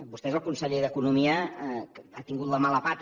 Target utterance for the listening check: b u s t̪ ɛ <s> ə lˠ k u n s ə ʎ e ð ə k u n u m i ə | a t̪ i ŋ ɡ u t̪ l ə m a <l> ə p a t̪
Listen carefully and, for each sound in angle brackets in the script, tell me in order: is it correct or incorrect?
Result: incorrect: z, correct

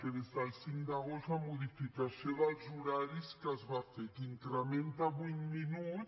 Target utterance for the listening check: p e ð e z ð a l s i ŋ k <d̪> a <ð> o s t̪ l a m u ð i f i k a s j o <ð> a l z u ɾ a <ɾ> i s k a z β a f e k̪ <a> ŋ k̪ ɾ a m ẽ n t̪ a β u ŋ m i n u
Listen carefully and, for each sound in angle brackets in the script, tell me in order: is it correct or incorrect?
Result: correct, incorrect: ɣ, correct, correct, incorrect: i

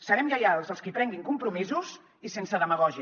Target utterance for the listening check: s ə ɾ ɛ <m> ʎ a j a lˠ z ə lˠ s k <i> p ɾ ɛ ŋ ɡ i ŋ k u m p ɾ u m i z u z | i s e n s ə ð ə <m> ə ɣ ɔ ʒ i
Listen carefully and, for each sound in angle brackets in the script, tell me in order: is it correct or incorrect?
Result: correct, correct, correct

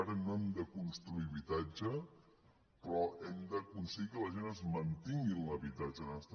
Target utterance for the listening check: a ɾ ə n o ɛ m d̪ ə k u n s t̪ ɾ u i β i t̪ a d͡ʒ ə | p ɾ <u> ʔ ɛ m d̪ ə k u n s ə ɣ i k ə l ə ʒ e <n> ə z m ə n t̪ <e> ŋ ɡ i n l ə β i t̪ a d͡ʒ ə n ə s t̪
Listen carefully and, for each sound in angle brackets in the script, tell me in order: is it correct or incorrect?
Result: incorrect: ɔ, correct, incorrect: i

